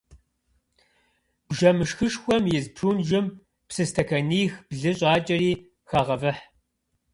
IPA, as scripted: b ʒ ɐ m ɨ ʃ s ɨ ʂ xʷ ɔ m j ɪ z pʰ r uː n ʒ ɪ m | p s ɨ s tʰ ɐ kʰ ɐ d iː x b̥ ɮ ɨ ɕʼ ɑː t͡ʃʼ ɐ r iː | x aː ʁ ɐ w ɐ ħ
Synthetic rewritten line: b ʒ ɐ m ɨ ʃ x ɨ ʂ xʷ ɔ m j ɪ z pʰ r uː n ʒ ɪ m | p s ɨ s tʰ ɐ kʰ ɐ n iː x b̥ ɮ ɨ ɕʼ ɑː t͡ʃʼ ɐ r iː | x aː ʁ ɐ v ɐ ħ